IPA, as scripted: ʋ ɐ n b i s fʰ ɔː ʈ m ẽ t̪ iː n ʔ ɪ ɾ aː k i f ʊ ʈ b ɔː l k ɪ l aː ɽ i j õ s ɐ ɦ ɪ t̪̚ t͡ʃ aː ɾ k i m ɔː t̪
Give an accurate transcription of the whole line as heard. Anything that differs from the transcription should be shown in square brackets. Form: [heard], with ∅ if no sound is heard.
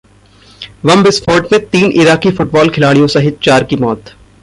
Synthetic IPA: ʋ ɐ [m] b [ɪ] s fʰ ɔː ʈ m ẽ t̪ iː n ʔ ɪ ɾ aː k i f ʊ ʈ b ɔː l [kʰ] ɪ l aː ɽ i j õ s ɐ ɦ ɪ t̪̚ t͡ʃ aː ɾ k i m ɔː t̪

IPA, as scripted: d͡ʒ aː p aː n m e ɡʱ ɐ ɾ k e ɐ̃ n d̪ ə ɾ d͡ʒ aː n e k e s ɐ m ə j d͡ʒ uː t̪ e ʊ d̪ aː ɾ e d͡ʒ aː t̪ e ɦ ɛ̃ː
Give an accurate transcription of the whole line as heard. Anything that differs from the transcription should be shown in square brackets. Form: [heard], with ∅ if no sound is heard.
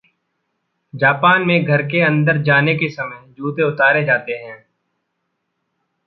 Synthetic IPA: d͡ʒ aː p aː n m [ẽ] ɡʱ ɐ ɾ k e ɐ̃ n d̪ ə ɾ d͡ʒ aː n e k e s ɐ m ə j d͡ʒ uː t̪ e ʊ [t̪] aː ɾ e d͡ʒ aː t̪ e ɦ ɛ̃ː

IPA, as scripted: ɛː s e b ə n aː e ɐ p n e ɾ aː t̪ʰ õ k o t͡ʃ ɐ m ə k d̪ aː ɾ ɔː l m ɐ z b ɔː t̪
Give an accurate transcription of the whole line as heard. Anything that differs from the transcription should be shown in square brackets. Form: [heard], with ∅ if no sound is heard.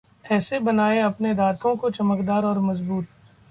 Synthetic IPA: ɛː s e b [ɐ] n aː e ɐ p n e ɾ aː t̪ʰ õ k o t͡ʃ ɐ m ə k d̪ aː ɾ ɔː [ɾ] m ɐ z b [uː] t̪

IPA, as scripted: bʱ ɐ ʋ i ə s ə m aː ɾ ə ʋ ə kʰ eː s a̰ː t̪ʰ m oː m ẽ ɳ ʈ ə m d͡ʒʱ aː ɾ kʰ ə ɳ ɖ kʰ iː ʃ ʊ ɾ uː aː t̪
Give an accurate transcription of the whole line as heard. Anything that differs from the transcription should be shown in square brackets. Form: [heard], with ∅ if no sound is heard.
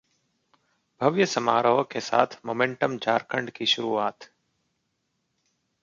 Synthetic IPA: bʱ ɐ ʋ [j] ə s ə m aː ɾ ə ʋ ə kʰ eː s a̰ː t̪ʰ m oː m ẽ ɳ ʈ ə m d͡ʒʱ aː ɾ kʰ ə ɳ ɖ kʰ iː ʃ ʊ ɾ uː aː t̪

